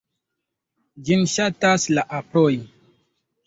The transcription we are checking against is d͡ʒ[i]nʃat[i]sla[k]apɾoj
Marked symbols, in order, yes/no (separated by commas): yes, no, no